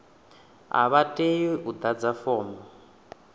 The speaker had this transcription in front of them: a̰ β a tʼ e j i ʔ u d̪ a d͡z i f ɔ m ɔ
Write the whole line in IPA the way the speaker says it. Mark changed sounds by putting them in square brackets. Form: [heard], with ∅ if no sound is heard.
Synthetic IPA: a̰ β a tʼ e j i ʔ u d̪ a d͡z [a] f [ɔː] m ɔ